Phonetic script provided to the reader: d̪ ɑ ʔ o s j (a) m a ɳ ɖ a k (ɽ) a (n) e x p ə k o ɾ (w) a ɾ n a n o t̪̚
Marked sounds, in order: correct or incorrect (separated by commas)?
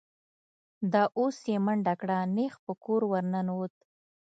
incorrect, correct, correct, correct